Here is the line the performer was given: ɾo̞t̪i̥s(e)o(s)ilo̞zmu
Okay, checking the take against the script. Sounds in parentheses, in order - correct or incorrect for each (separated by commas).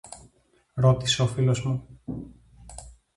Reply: correct, incorrect